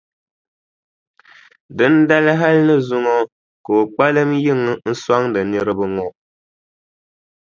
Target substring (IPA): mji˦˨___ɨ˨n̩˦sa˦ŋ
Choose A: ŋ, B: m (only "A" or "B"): A